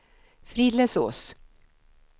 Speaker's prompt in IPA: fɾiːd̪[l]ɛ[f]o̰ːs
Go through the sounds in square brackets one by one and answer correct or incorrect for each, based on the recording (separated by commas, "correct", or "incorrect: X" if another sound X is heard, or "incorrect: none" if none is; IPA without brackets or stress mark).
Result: correct, incorrect: s